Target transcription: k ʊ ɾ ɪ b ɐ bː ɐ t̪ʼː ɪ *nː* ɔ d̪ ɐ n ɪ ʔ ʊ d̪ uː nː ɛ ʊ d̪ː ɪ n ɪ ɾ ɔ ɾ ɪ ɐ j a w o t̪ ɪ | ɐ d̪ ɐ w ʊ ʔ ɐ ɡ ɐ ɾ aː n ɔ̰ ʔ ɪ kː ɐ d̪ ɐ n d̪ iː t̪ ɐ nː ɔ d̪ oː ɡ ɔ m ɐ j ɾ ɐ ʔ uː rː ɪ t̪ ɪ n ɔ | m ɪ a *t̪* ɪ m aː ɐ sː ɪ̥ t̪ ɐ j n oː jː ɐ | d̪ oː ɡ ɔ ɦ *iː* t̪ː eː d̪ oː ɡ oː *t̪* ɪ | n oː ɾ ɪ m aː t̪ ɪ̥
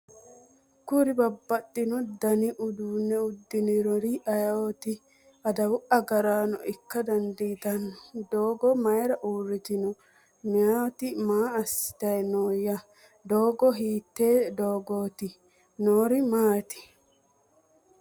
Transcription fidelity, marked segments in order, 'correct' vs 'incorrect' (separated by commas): incorrect, correct, correct, correct